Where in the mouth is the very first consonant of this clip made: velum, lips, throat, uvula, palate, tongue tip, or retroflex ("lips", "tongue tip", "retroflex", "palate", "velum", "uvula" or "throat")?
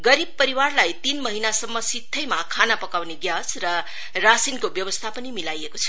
velum